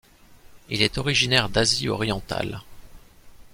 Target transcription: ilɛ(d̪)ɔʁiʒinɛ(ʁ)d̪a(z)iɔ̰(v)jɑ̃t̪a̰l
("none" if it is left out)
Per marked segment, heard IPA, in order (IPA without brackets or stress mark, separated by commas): t̪, ʁ, z, ʁ